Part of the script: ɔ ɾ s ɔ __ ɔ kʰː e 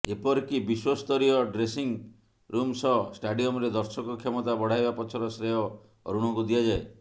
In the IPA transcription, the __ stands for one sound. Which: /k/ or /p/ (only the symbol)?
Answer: k